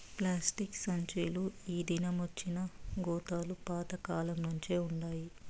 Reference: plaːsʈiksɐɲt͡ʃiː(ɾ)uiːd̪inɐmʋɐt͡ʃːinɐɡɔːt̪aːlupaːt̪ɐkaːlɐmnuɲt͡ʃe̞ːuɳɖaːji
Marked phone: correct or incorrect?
incorrect